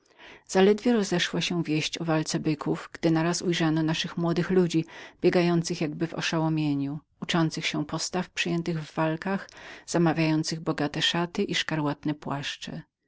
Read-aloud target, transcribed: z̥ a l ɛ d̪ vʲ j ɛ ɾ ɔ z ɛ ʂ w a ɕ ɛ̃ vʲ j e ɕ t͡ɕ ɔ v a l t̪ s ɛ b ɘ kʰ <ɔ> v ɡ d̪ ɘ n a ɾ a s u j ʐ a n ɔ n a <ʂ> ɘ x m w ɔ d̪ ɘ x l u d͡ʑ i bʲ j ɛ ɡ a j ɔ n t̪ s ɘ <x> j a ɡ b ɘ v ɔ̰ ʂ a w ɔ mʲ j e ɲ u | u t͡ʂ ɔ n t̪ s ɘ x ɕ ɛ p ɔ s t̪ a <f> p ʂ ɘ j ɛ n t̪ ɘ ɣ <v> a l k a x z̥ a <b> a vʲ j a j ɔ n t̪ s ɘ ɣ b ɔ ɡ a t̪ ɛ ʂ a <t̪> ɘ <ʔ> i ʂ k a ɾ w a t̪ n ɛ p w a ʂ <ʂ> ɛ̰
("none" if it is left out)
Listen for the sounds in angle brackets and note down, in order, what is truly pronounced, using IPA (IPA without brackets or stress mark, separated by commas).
u, ʂ, x, f, vː, m, t̪, ʔ, t͡ʂ